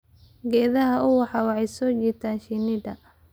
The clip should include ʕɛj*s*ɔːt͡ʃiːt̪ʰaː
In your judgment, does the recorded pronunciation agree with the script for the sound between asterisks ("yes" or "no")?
yes